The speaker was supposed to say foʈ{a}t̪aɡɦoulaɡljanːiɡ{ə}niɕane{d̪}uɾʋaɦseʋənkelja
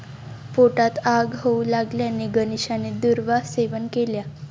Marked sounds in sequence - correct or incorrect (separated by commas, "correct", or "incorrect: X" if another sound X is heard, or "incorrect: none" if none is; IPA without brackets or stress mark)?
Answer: correct, correct, correct